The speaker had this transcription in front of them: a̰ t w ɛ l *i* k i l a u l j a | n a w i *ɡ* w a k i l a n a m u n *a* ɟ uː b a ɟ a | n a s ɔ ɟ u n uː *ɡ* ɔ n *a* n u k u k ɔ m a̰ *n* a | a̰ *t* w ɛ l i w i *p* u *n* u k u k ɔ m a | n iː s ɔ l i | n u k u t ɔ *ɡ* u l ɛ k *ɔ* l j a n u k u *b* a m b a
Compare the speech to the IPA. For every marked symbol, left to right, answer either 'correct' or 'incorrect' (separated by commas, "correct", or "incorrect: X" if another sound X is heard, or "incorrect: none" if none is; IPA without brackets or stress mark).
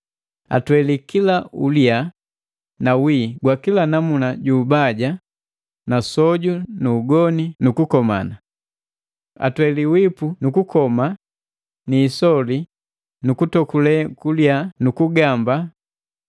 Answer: correct, correct, correct, correct, incorrect: i, correct, correct, correct, correct, incorrect: k, incorrect: u, incorrect: ɡ